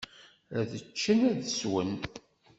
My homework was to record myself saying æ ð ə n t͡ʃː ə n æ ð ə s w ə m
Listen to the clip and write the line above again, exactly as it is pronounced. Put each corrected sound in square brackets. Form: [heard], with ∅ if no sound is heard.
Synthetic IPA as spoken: æ ð ə [∅] t͡ʃː ə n æ ð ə s w ə [n]